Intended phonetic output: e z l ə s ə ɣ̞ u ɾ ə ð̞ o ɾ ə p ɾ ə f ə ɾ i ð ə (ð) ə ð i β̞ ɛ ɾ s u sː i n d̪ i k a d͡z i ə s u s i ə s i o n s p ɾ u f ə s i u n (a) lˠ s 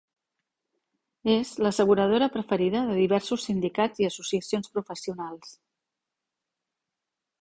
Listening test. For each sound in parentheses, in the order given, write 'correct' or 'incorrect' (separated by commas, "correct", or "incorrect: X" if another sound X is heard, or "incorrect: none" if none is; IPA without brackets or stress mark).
correct, correct